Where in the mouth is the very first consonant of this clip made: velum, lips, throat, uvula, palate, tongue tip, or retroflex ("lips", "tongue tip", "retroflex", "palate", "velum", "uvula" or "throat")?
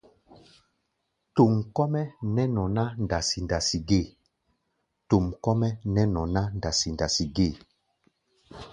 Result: tongue tip